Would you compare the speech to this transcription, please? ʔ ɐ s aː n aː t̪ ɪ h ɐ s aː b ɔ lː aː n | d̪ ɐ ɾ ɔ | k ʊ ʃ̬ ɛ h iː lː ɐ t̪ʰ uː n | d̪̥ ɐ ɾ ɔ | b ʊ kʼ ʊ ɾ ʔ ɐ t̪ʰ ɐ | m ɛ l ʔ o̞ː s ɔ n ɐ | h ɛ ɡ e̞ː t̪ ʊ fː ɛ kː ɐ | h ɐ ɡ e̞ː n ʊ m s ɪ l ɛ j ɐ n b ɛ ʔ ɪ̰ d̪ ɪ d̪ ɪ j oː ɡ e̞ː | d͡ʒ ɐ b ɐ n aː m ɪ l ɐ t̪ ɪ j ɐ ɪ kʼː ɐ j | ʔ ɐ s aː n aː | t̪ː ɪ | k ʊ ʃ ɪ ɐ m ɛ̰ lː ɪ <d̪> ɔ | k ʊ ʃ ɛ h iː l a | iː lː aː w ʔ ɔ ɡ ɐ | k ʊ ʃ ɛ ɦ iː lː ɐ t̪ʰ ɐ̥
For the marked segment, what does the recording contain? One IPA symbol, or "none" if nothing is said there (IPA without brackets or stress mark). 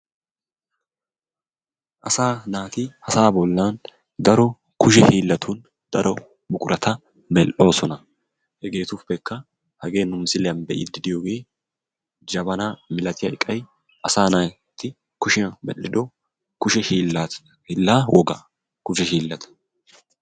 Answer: d̪